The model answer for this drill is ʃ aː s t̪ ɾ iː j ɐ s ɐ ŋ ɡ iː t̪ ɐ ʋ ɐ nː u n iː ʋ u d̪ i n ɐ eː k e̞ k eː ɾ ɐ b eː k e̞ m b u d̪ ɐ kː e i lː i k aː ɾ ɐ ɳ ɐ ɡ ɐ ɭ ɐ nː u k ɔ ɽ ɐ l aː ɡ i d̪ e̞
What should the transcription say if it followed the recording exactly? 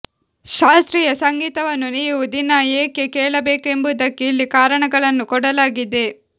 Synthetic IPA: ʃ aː s t̪ ɾ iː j ɐ s ɐ ŋ ɡ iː t̪ ɐ ʋ ɐ nː u n iː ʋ u d̪ i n ɐ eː k e̞ k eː ɭ ɐ b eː k e̞ m b u d̪ ɐ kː e i lː i k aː ɾ ɐ ɳ ɐ ɡ ɐ ɭ ɐ nː u k ɔ ɽ ɐ l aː ɡ i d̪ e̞